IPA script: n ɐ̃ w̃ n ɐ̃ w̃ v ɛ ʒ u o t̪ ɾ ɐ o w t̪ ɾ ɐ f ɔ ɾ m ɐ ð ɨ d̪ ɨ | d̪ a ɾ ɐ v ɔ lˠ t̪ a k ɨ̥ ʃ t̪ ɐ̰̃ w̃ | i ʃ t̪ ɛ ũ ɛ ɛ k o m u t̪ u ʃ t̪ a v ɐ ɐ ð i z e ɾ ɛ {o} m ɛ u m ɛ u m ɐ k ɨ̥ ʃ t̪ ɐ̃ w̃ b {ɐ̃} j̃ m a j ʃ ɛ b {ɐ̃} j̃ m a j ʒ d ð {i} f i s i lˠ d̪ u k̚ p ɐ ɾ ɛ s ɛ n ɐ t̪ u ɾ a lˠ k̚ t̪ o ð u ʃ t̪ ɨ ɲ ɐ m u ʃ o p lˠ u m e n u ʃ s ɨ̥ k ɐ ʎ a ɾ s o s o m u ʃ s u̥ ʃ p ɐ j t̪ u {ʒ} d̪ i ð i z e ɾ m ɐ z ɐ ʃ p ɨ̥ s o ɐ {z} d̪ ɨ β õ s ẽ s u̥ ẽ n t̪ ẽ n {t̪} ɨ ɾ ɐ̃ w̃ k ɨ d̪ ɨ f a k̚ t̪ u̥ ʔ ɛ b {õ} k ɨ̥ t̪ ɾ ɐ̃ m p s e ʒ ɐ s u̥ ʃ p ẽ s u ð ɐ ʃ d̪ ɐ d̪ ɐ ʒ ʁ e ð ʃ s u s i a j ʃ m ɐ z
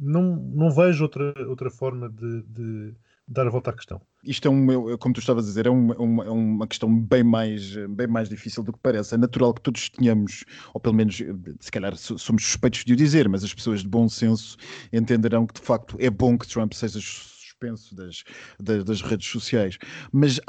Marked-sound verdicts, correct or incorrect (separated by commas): incorrect, correct, correct, correct, correct, incorrect, incorrect, correct